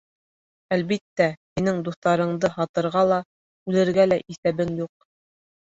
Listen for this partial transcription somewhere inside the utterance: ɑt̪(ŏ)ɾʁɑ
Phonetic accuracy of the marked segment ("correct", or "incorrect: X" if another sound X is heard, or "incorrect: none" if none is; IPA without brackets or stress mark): incorrect: ɤ̆